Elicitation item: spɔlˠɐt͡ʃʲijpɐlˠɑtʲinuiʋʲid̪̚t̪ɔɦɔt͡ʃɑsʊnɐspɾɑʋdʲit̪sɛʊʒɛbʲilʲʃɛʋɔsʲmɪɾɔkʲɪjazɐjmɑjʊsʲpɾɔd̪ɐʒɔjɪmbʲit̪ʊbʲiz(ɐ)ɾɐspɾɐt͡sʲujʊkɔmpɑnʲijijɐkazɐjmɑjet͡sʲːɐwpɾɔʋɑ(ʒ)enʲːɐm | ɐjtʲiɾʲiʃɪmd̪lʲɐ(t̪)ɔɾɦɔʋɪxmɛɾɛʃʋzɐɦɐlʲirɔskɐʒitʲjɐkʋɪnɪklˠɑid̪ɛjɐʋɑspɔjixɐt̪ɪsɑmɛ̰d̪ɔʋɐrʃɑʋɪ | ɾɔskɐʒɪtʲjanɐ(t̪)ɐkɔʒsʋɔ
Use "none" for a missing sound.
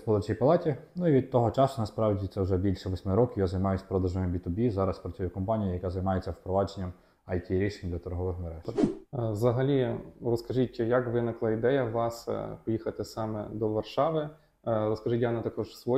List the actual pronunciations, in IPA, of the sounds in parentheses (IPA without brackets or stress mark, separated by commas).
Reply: ɑ, d͡ʒ, t̪, t̪